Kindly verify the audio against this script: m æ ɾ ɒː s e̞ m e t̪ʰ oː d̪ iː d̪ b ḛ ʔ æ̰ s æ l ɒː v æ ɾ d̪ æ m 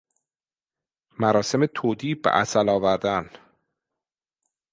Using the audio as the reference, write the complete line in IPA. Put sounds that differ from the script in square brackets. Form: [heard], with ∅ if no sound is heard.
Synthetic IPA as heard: m æ ɾ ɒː s e̞ m e t̪ʰ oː d̪ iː [∅] b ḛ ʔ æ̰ s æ l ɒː v æ ɾ d̪ æ [n]